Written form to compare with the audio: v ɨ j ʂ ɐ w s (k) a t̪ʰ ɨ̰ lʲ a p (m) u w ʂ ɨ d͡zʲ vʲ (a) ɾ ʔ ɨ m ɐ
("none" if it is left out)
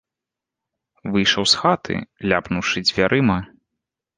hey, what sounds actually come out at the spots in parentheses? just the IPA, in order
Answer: x, n, a

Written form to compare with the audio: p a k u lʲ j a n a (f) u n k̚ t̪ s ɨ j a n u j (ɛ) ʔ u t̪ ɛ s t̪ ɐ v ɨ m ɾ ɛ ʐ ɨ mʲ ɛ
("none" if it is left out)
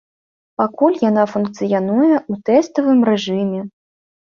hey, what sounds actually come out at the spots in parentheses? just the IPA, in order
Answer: f, ɛ

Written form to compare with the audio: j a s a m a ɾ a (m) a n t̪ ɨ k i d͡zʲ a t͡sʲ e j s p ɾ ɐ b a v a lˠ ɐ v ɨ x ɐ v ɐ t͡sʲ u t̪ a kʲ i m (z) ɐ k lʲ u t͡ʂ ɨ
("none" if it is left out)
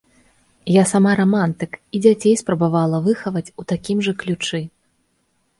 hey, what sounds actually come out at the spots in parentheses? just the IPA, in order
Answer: m, ʐ

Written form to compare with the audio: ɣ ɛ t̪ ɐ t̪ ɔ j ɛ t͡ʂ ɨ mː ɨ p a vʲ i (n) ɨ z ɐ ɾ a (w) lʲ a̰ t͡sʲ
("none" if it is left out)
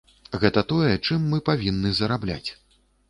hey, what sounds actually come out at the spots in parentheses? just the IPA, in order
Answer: nː, b

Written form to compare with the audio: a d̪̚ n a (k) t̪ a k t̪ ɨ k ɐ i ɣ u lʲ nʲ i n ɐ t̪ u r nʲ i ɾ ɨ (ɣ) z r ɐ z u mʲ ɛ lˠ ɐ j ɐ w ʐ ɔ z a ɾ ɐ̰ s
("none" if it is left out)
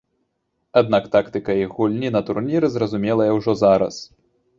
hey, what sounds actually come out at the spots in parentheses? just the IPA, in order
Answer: k, none

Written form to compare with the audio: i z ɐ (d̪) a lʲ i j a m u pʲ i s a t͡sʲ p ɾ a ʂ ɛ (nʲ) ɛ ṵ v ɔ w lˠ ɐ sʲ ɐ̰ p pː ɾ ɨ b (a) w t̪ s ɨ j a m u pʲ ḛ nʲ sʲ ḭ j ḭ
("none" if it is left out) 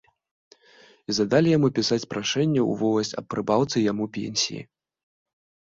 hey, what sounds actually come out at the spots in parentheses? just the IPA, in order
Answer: d̪, nʲː, a

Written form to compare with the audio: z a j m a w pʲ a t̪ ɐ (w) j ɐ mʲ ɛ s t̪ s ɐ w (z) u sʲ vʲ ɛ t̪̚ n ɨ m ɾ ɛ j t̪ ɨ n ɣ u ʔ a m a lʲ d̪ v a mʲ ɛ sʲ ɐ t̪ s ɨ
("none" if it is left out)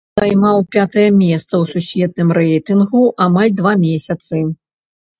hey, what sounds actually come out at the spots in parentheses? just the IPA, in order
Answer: none, s

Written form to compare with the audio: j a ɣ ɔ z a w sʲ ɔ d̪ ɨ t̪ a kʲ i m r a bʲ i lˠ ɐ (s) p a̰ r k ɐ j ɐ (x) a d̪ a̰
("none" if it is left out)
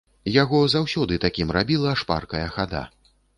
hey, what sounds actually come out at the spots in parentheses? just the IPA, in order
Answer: ʂ, x

